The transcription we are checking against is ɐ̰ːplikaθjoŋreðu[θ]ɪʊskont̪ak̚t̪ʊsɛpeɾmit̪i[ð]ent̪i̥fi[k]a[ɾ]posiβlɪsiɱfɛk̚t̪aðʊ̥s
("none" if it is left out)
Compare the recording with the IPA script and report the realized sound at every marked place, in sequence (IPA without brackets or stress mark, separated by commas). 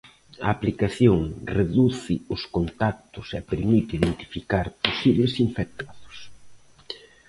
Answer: θ, ð, k, ɾ